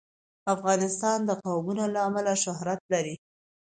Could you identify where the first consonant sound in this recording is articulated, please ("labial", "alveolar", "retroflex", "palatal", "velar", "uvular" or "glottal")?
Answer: labial